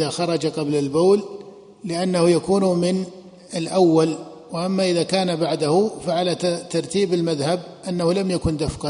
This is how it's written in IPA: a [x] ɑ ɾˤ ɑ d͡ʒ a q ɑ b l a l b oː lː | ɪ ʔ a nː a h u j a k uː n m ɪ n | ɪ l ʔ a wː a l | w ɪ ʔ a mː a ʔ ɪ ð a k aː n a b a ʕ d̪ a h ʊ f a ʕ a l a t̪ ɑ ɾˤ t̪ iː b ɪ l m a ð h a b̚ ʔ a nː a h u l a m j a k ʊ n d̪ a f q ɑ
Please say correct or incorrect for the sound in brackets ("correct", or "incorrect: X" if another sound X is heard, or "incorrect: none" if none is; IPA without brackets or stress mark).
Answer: correct